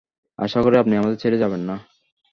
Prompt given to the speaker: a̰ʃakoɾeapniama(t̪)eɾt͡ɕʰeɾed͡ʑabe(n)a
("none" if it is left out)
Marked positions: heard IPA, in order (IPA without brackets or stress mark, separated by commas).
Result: d̪, nː